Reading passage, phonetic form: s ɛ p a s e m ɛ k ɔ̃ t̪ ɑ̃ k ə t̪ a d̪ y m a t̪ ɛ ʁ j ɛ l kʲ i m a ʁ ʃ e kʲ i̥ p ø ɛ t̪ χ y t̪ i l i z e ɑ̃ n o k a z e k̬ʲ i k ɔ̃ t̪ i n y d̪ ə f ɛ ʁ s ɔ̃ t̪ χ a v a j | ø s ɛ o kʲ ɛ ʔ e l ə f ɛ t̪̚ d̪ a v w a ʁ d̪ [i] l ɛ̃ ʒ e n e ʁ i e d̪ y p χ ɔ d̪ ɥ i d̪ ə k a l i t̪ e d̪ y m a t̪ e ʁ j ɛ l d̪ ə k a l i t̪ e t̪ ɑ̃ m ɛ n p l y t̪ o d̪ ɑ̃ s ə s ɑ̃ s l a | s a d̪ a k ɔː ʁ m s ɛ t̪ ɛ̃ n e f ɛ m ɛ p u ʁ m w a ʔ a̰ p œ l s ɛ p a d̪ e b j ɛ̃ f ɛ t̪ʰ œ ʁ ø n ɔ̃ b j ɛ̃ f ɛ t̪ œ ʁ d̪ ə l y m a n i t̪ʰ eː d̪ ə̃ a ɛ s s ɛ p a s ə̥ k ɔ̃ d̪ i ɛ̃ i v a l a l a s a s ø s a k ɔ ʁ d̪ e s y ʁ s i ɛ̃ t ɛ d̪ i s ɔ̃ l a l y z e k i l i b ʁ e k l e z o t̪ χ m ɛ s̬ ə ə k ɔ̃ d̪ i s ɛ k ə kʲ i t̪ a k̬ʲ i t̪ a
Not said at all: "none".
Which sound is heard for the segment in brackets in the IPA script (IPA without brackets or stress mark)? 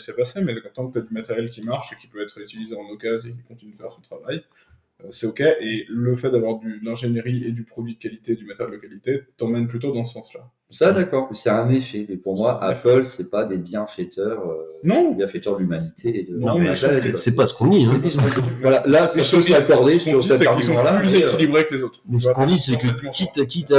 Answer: y